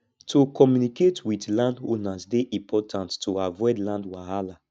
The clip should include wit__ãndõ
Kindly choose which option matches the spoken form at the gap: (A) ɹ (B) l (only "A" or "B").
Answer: B